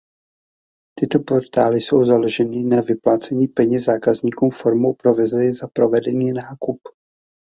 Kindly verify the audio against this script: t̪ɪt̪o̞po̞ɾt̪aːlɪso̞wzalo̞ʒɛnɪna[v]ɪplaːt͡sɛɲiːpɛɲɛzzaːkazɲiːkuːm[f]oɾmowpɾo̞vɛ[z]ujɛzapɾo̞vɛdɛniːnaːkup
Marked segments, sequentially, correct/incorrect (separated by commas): correct, correct, correct